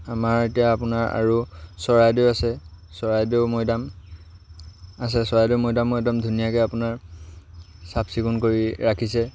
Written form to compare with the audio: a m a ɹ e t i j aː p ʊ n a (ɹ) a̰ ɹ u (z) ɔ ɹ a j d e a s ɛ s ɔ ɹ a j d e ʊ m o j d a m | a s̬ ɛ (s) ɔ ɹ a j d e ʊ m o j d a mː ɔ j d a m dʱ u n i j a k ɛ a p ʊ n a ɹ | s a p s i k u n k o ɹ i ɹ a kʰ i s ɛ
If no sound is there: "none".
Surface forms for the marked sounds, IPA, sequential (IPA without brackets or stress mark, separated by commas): ɹ, s, s